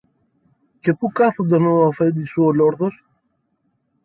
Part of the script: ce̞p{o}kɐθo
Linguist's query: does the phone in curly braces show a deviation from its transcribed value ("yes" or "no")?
yes